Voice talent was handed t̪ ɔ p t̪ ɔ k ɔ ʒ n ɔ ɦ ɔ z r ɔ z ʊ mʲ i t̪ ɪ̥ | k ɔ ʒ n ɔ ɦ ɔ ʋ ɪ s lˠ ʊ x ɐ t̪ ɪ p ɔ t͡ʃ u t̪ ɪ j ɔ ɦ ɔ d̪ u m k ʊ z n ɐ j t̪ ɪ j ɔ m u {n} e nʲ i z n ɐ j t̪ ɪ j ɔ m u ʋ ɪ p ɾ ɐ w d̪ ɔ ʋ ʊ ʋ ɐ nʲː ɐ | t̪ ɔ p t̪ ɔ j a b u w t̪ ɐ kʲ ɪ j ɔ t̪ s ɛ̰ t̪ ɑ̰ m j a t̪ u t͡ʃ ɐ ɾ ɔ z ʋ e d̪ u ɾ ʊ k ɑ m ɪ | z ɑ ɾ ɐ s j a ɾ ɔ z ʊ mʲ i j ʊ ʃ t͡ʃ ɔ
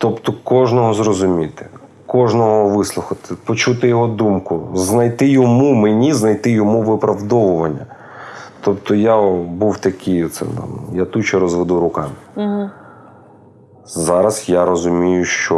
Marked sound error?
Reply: yes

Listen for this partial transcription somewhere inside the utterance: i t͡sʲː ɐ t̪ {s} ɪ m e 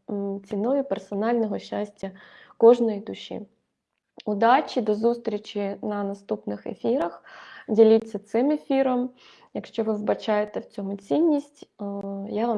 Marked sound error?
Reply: no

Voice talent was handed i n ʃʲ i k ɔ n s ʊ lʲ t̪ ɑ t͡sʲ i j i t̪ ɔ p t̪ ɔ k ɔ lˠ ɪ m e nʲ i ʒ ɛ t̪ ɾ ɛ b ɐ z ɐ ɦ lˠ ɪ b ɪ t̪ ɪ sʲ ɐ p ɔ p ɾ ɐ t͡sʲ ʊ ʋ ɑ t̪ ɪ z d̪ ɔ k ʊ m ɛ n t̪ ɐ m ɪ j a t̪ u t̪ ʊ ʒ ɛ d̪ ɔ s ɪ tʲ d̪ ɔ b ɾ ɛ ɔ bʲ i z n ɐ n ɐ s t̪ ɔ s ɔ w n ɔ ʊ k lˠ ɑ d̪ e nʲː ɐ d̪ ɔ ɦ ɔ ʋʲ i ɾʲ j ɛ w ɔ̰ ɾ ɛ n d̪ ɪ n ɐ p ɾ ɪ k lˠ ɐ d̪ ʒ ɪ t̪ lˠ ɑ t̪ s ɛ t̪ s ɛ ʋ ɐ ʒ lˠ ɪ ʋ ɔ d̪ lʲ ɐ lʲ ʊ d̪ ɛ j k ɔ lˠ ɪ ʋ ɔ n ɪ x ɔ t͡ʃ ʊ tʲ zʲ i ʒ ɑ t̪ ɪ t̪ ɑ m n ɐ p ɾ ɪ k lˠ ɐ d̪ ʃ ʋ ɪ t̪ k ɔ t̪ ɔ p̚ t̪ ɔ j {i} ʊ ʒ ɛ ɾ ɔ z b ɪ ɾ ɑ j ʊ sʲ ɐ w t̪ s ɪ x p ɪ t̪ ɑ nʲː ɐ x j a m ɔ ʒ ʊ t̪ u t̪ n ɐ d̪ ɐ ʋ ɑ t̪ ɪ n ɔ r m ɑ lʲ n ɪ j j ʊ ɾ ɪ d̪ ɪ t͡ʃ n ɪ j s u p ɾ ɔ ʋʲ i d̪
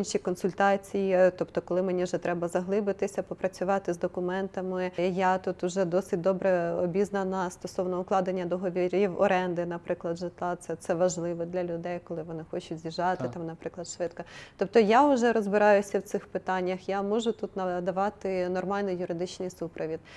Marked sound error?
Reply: yes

